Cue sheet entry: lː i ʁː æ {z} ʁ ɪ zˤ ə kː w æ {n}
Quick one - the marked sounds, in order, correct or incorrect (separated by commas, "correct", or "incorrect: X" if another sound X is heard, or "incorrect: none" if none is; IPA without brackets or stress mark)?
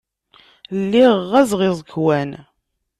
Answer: correct, correct